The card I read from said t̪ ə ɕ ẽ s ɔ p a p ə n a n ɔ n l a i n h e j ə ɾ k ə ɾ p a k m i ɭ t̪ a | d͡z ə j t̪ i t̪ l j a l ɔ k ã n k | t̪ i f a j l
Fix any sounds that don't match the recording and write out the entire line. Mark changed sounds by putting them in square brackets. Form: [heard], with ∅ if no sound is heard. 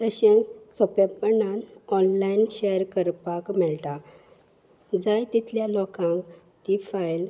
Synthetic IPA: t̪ ə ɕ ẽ s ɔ p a p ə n a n ɔ n l a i n [ɕ] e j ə ɾ k ə ɾ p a k m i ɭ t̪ a | d͡z [a] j t̪ i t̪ l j a l ɔ k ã [ŋ] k | t̪ i f a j l